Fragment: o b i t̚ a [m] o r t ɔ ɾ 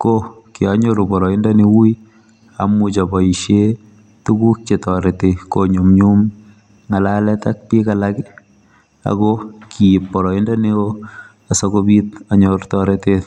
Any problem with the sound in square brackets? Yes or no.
yes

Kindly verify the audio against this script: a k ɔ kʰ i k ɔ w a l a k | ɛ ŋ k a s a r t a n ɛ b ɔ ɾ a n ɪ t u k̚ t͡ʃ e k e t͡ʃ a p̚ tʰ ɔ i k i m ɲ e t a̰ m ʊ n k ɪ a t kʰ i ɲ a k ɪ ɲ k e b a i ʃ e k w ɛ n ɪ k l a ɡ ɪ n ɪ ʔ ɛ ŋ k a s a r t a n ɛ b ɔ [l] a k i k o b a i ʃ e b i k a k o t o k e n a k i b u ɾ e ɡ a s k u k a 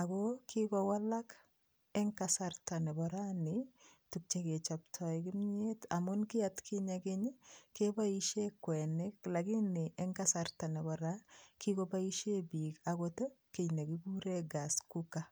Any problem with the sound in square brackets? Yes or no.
yes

